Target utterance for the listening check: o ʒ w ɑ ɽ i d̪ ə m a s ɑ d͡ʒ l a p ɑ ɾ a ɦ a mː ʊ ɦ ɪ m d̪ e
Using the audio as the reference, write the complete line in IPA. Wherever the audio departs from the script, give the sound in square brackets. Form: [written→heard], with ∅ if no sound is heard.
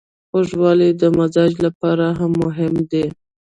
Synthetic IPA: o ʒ w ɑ [ɽ→l] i d̪ ə m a [s→z] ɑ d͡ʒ l a p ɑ ɾ a ɦ a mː ʊ ɦ ɪ m d̪ e